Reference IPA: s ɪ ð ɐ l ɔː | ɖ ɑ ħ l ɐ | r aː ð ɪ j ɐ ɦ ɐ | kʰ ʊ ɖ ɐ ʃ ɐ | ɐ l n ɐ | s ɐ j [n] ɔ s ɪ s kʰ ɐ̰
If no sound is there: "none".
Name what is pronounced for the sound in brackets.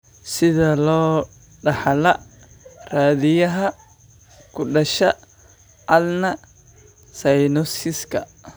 n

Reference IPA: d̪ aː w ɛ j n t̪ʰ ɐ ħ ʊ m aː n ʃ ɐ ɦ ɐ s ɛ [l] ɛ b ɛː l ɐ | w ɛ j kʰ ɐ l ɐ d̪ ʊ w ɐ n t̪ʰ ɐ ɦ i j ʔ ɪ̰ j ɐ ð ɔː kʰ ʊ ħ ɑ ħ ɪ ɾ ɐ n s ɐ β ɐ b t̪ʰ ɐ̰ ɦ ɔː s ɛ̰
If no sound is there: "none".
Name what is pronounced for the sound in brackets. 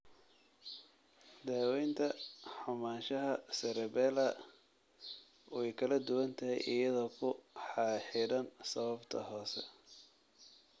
ɾ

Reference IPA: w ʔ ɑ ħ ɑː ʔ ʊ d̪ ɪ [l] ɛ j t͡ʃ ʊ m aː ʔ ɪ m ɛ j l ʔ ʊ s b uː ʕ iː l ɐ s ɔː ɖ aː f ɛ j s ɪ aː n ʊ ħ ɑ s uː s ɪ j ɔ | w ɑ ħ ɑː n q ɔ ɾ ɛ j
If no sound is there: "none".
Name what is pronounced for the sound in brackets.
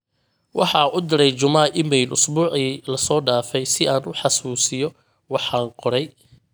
ɾ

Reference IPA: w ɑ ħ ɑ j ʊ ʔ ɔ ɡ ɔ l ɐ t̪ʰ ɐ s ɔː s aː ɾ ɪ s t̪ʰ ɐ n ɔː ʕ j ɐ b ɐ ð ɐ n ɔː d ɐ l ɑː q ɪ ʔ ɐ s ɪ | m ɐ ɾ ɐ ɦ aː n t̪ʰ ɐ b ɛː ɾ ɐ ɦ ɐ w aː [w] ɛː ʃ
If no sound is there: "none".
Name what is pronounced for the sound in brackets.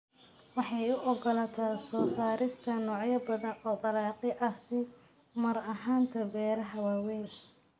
w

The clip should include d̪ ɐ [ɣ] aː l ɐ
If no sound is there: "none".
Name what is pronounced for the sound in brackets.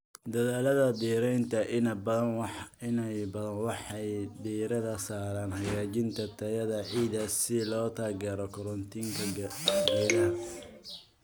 ð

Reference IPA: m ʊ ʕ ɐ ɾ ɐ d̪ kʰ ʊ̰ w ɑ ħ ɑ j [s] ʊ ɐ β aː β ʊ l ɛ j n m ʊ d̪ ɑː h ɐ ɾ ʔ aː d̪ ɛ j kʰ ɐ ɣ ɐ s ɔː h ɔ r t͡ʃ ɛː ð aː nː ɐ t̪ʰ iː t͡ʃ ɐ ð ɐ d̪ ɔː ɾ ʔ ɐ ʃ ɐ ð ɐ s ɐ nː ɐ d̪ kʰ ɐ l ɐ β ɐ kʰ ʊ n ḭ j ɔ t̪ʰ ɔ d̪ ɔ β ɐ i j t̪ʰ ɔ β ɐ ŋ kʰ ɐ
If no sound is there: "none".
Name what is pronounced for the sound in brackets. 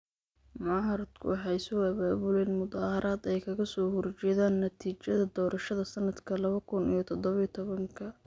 s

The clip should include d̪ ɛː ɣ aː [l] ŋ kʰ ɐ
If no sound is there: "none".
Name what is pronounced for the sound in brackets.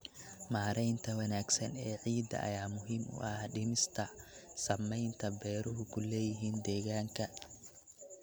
none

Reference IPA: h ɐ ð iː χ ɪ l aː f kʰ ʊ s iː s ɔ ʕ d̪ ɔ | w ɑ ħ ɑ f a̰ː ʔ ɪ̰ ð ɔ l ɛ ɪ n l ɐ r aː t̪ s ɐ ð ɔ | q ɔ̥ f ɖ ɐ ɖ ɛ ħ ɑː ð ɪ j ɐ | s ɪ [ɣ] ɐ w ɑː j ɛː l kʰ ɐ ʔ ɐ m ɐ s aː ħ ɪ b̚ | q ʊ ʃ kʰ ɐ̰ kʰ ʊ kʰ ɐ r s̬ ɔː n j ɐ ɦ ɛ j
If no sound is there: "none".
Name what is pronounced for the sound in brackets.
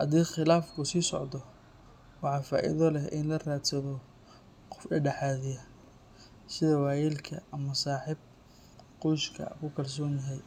ð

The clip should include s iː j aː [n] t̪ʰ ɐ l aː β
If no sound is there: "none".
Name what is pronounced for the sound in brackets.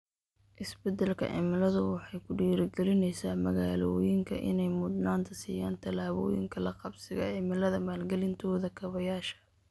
n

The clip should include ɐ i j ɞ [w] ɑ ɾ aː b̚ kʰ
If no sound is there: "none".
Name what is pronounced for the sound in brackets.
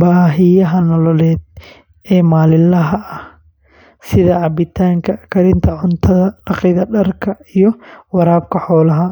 w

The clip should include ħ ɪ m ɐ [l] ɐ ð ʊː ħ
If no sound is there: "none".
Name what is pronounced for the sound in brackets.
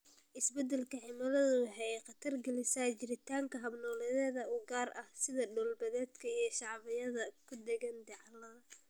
l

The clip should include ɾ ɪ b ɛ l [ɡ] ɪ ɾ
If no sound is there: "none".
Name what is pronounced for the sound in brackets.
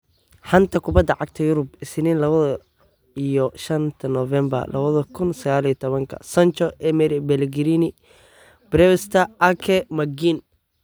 ɡ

